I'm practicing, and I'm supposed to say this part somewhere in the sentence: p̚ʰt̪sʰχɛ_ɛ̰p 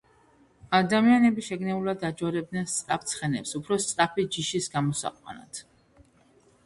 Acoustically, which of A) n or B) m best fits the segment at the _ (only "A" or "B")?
A